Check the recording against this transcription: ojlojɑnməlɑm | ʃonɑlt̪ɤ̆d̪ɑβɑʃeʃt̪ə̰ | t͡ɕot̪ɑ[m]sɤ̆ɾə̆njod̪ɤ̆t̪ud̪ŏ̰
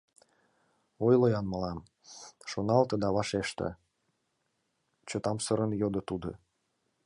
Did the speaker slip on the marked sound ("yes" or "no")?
no